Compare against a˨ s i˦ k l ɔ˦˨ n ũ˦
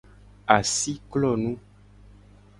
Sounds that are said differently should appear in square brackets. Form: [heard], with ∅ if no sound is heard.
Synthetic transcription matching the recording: a˨ s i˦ k l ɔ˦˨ n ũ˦

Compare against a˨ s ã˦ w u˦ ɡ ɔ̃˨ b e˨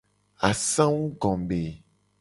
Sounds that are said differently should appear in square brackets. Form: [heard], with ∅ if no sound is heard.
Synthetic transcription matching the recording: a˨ s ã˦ w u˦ ɡ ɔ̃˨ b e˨

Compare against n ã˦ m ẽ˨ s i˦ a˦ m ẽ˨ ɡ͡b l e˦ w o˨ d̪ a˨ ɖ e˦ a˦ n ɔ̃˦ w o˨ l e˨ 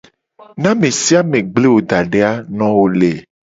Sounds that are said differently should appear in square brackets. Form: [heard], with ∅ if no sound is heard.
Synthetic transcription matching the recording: n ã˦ m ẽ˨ s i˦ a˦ m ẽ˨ ɡ͡b l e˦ w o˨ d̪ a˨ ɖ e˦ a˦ n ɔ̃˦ w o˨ l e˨

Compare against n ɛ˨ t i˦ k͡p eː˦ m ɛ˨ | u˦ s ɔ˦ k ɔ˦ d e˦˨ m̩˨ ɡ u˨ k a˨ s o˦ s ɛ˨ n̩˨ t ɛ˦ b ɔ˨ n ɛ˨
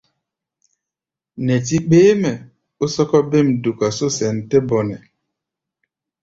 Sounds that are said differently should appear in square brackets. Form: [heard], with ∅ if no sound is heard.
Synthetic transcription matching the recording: n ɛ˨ t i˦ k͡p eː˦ m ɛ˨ | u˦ s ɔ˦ k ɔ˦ [b] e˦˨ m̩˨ [d] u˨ k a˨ s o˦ s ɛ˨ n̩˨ t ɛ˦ b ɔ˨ n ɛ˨

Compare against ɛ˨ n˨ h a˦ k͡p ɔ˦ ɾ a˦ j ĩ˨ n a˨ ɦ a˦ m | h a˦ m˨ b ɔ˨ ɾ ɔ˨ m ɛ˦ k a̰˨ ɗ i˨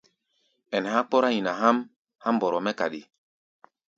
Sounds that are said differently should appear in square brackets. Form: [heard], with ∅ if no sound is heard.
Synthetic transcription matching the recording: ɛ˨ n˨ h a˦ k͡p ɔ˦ ɾ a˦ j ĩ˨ n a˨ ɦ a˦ m | h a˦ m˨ b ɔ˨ ɾ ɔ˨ m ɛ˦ k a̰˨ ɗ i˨

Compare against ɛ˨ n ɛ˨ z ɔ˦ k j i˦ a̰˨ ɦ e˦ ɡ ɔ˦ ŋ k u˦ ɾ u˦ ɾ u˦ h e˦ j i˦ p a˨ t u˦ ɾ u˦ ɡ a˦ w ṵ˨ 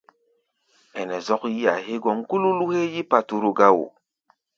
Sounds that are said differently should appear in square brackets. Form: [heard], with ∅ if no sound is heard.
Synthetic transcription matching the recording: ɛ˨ n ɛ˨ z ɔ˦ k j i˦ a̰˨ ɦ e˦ ɡ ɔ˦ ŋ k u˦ [l] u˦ [l] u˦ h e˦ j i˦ p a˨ t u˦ ɾ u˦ ɡ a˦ w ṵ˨

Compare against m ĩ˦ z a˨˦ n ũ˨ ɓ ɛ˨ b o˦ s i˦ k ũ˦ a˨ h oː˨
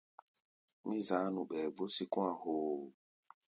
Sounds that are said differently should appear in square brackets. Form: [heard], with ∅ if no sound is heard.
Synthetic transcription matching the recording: m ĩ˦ z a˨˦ n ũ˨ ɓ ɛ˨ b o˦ s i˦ k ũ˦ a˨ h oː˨

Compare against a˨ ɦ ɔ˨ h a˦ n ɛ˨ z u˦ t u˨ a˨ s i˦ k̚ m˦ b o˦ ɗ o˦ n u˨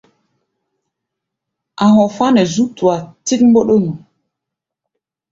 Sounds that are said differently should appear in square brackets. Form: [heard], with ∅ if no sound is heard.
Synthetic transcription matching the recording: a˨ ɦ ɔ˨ [f] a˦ n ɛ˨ z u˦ t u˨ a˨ [t] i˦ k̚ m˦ b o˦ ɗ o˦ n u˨

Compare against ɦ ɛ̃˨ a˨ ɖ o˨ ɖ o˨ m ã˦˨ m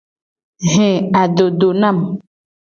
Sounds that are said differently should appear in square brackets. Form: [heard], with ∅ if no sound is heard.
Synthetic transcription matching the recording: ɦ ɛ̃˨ a˨ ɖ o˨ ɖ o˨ [n] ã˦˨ m

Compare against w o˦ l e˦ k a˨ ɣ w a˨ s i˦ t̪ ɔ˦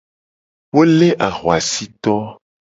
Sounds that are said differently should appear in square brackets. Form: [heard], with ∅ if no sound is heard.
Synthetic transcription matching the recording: w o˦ l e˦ [ʔ] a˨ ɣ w a˨ s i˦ t̪ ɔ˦

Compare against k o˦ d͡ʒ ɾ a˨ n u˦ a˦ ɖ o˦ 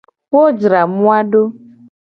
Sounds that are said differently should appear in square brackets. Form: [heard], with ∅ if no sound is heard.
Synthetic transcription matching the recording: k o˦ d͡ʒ ɾ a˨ [m] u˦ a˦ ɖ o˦

